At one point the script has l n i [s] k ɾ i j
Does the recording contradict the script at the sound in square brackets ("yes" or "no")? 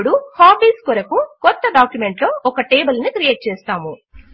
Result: yes